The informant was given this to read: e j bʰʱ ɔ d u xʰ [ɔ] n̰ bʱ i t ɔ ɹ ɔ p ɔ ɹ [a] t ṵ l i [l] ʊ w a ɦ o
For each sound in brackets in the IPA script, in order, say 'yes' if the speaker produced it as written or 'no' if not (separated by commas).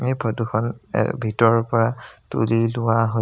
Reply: yes, yes, yes